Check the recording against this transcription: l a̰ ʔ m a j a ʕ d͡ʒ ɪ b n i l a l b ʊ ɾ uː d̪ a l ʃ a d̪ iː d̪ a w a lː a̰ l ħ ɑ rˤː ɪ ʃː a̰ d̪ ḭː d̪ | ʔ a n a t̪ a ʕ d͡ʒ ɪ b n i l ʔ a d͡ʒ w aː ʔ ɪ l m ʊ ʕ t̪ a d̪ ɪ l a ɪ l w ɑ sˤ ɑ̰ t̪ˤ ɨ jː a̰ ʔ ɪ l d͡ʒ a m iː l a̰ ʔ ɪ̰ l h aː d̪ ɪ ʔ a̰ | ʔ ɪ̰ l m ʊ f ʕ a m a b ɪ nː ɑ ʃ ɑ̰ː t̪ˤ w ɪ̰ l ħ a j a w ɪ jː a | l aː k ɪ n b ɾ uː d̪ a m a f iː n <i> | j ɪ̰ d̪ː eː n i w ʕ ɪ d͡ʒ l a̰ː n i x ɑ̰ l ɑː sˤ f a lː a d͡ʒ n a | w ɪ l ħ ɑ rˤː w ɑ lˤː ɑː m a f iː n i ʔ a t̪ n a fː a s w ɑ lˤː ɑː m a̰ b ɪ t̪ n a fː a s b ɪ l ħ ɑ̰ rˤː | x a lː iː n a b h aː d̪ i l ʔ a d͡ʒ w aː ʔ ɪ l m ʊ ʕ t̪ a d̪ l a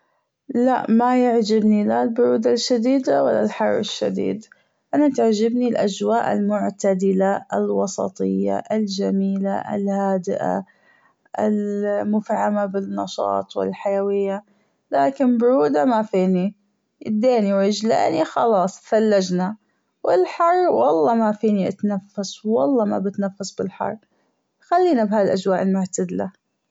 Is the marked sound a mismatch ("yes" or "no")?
no